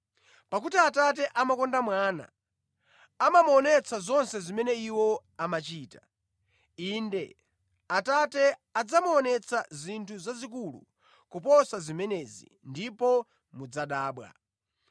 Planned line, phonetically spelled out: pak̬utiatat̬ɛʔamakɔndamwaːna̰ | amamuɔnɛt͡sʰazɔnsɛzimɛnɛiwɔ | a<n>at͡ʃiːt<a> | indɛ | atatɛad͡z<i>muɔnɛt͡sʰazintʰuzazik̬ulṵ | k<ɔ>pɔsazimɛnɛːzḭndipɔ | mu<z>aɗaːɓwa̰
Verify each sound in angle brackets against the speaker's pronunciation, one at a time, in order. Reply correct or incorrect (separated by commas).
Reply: incorrect, correct, incorrect, incorrect, incorrect